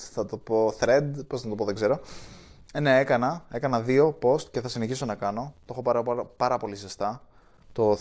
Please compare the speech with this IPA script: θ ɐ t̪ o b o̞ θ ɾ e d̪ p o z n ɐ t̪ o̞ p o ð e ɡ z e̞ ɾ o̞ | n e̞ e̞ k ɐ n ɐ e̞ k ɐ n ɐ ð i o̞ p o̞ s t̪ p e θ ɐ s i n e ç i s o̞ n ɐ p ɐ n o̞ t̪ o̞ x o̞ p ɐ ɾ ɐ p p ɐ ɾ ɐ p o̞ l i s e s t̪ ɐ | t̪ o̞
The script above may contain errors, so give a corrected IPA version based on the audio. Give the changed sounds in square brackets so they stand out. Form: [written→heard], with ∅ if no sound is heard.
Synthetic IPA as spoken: θ ɐ t̪ o [b→p] o̞ θ ɾ e d̪ p o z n ɐ t̪ o̞ p o ð e ɡ z e̞ ɾ o̞ | n e̞ e̞ k ɐ n ɐ e̞ k ɐ n ɐ ð i o̞ p o̞ s t̪ [p→c] e θ ɐ s i n e ç i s o̞ n ɐ [p→k] ɐ n o̞ t̪ o̞ x o̞ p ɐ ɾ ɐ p p ɐ ɾ ɐ p o̞ l i s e s t̪ ɐ | t̪ o̞